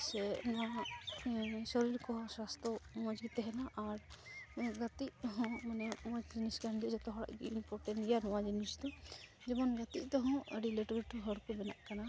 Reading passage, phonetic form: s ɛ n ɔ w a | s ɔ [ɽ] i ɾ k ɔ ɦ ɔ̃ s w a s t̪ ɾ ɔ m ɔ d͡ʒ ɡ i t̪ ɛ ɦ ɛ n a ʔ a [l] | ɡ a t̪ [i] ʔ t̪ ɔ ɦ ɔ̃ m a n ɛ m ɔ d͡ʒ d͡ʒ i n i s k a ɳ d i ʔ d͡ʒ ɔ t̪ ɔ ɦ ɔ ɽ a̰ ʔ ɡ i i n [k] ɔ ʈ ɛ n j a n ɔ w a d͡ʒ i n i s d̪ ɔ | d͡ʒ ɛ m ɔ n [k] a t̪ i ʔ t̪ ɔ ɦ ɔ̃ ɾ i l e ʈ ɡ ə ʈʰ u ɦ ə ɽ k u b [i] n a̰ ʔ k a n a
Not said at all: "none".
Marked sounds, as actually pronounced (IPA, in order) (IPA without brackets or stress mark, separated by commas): ɾ, ɾ, i, p, ɡ, ɛ